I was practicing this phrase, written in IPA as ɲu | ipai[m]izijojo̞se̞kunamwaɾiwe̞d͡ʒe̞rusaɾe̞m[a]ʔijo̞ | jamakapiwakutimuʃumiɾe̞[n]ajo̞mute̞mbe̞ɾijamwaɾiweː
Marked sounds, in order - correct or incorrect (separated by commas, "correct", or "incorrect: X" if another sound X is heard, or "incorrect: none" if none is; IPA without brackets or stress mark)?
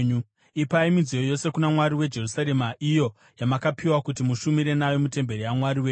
correct, correct, correct